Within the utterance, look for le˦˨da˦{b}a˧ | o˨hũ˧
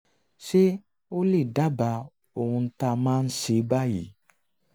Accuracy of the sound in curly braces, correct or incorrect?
correct